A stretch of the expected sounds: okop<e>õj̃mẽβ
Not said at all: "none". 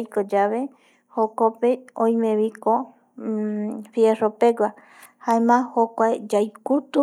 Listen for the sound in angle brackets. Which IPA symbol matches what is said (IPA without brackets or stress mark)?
e